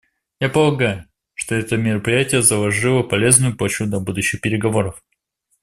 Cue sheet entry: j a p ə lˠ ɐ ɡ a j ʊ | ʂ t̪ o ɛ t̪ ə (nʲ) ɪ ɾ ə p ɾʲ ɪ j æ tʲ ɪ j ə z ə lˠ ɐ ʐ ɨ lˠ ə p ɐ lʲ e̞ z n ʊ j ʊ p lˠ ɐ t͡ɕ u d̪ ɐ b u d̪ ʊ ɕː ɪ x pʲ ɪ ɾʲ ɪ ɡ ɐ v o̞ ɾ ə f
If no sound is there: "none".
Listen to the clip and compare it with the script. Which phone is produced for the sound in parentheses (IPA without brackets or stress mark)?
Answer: mʲ